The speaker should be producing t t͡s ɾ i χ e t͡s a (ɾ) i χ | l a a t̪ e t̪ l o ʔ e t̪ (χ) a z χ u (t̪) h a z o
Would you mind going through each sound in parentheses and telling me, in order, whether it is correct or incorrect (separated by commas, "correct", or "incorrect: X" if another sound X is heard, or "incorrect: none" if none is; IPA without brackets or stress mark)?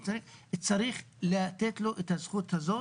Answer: correct, incorrect: h, correct